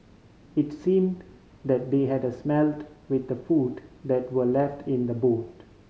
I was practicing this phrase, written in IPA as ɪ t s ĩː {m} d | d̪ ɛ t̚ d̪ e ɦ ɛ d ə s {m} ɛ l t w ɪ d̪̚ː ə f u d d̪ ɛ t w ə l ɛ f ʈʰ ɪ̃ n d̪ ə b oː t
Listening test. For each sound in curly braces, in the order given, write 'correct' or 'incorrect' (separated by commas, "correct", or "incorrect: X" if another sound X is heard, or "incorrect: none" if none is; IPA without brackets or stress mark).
correct, correct